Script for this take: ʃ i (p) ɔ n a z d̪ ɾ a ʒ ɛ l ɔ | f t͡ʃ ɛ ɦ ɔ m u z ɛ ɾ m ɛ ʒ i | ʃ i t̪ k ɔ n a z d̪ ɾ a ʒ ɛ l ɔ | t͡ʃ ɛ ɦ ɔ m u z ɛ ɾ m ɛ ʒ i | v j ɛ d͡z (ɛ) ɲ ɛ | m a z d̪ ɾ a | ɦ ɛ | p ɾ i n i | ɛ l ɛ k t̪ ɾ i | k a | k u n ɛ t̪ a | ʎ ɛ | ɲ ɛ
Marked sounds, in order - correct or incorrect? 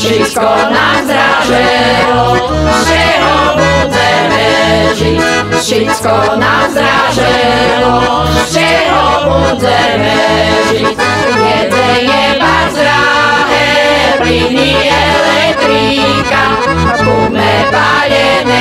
incorrect: k, correct

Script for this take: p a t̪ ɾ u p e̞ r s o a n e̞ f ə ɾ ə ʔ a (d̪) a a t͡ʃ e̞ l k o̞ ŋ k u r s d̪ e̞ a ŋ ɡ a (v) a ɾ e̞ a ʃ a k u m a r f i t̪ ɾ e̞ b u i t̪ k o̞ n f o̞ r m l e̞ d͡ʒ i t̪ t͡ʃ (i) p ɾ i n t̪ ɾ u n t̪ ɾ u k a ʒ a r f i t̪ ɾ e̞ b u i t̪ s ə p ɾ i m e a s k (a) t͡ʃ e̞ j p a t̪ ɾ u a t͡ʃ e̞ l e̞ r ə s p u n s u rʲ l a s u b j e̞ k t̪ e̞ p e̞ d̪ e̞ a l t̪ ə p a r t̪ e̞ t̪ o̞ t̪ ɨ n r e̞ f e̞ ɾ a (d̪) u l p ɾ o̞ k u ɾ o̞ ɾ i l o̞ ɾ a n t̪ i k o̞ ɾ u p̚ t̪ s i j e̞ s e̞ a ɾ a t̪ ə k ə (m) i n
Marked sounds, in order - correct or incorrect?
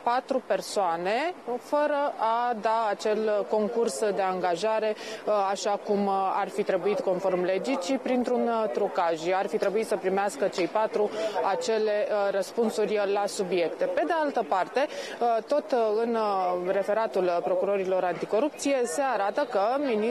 correct, incorrect: ʒ, correct, incorrect: ə, incorrect: t̪, correct

